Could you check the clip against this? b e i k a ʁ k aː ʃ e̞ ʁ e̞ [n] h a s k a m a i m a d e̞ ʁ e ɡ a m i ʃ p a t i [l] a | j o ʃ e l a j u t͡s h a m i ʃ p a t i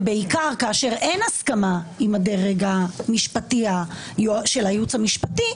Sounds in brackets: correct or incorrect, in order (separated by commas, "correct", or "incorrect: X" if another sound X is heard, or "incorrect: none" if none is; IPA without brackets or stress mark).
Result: correct, incorrect: none